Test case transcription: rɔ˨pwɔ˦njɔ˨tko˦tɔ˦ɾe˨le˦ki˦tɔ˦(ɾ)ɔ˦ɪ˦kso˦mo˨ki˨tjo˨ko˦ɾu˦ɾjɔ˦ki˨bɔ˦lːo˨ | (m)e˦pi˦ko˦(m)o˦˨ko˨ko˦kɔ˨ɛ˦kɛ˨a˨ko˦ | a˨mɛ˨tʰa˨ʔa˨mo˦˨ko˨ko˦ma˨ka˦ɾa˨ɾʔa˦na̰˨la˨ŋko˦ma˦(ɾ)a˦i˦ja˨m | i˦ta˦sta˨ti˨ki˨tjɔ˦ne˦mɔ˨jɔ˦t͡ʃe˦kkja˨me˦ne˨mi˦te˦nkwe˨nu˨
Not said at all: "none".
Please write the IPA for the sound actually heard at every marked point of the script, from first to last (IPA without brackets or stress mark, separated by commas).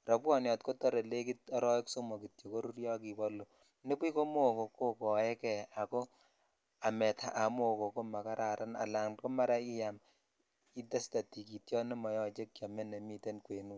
ɾ, n, m, ɾ